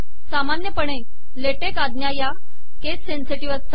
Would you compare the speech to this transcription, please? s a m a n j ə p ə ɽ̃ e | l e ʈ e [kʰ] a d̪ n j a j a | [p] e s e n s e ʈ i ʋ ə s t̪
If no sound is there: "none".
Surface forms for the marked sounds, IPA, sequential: k, k

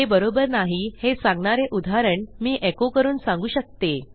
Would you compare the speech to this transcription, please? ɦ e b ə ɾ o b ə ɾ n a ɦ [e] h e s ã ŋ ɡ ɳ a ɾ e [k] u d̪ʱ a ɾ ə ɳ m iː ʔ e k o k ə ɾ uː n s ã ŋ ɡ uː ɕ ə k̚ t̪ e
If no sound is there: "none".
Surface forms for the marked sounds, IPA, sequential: i, ʔ

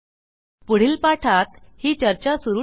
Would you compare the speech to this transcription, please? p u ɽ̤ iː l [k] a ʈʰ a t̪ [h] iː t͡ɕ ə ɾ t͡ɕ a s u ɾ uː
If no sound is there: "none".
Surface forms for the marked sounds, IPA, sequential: p, h

